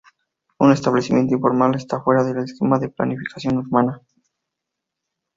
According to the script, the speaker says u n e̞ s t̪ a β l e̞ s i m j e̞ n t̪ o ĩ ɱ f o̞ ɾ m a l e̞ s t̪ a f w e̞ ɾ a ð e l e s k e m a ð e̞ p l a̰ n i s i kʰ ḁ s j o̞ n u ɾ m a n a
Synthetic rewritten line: u n e̞ s t̪ a β l e̞ s i m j e̞ n t̪ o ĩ ɱ f o̞ ɾ m a l e̞ s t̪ a f w e̞ ɾ a ð e l e s k e m a ð e̞ p l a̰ n i f i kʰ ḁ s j o̞ n u ɾ m a n a